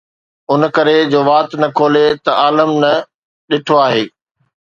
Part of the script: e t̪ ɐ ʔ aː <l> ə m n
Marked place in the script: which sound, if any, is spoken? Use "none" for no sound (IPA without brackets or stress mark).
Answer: l